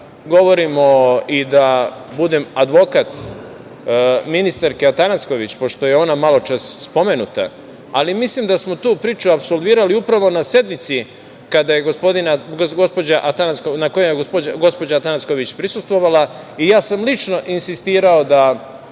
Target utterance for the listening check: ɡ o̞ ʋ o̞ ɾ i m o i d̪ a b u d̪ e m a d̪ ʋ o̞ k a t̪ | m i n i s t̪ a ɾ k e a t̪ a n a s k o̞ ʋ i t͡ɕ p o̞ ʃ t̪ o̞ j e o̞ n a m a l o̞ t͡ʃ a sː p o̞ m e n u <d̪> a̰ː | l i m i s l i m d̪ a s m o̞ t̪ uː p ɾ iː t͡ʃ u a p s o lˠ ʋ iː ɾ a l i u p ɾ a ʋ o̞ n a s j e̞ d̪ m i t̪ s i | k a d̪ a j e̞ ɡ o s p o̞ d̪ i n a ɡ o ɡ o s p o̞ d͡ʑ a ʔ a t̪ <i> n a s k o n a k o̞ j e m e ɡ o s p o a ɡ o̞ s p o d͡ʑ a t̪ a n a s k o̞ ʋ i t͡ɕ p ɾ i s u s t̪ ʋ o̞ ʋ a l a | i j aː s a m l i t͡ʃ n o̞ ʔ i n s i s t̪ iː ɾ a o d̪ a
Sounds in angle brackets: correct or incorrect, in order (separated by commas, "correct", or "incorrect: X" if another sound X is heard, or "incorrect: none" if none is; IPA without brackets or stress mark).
incorrect: t̪, incorrect: a